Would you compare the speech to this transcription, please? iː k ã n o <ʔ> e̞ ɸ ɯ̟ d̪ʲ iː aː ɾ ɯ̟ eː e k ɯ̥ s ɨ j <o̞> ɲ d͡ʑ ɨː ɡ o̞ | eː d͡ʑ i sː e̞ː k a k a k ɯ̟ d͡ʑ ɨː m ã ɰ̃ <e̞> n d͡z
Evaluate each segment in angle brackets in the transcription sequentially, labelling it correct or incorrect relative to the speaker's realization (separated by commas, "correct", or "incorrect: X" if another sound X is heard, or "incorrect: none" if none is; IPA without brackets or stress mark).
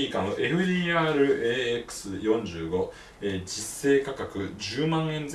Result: correct, incorrect: õ̞, incorrect: ẽ̞